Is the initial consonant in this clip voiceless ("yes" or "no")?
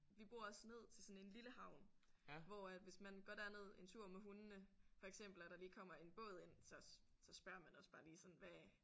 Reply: no